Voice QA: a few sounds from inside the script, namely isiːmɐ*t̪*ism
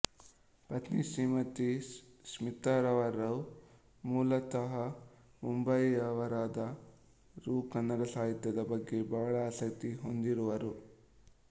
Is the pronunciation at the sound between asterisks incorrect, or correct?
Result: correct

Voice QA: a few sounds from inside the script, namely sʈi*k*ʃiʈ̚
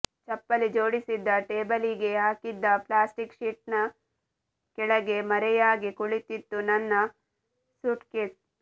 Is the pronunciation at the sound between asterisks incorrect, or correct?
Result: correct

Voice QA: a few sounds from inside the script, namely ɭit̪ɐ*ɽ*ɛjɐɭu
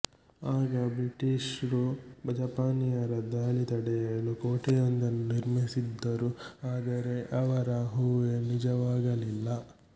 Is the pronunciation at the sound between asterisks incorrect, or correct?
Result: correct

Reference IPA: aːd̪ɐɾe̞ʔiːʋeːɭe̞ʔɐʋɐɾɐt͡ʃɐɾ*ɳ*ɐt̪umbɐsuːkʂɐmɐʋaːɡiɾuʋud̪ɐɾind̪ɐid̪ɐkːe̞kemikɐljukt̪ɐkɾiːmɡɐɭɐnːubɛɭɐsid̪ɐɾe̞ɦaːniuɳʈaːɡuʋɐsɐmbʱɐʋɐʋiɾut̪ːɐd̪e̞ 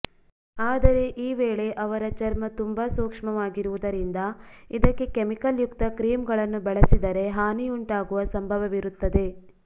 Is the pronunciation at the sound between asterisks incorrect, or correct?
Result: incorrect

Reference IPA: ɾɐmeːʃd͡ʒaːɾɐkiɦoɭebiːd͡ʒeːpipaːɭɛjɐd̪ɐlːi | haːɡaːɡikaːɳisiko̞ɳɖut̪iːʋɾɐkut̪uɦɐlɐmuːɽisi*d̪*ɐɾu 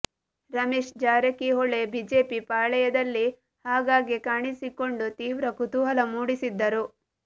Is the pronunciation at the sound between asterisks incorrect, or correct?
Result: incorrect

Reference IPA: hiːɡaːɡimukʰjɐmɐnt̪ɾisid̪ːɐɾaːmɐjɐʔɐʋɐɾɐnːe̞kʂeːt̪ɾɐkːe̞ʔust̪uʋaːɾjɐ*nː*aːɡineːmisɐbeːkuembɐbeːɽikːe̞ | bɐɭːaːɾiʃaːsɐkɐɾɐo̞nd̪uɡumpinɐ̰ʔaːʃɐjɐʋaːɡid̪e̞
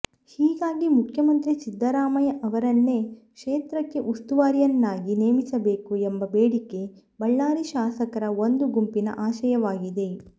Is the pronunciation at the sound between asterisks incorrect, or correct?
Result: correct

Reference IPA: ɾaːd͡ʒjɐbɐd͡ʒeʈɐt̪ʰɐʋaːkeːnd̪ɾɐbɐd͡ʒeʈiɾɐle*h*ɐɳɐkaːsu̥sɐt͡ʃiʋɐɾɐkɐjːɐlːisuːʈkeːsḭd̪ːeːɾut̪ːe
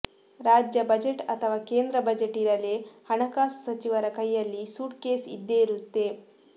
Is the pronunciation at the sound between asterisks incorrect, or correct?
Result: correct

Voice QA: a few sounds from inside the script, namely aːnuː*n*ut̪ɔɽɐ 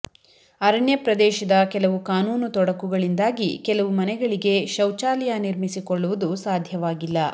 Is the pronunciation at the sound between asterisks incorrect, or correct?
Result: correct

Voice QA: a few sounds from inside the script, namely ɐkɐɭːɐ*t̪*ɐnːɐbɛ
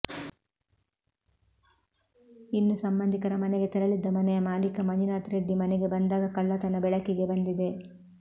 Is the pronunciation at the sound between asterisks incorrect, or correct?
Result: correct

